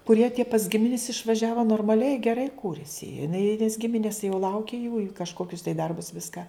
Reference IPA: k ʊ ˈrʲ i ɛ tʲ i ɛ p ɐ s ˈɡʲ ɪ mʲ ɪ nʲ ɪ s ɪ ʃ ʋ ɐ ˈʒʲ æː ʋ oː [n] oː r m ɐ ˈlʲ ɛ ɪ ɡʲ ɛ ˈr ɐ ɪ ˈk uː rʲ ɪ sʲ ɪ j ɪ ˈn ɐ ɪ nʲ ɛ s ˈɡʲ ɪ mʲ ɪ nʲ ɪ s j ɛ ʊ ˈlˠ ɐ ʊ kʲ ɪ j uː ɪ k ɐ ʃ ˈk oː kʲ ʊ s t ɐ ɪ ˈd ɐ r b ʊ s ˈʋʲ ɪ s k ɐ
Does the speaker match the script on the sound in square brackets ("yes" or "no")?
yes